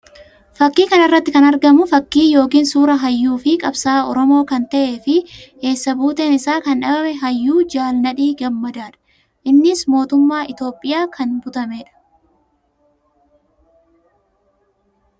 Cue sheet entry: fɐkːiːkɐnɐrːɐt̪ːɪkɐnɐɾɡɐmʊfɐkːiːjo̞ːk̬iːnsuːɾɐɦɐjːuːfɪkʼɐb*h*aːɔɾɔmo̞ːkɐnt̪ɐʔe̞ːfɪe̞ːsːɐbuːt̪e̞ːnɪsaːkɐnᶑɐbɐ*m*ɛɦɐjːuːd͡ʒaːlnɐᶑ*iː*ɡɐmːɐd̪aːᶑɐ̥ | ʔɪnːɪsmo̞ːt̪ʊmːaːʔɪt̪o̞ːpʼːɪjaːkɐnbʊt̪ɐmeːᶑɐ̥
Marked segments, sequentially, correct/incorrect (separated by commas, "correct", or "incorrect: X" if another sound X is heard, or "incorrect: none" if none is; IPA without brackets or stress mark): incorrect: s, correct, correct